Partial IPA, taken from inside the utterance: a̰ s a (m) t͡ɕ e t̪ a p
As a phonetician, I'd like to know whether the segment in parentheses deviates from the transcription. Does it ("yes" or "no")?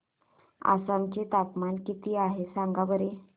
no